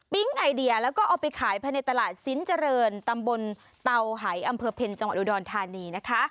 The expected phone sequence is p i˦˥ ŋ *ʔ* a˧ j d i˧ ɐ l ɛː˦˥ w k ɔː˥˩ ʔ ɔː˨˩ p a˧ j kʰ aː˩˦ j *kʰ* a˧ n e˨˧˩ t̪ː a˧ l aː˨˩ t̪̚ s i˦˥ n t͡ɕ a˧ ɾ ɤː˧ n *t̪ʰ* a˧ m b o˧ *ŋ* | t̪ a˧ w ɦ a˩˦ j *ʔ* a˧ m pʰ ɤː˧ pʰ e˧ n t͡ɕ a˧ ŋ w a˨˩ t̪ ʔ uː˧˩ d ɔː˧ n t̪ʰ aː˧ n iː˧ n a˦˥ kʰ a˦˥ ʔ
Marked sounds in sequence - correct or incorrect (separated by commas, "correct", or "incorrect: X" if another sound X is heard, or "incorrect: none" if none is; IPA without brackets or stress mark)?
correct, incorrect: pʰ, incorrect: t̪, incorrect: n, correct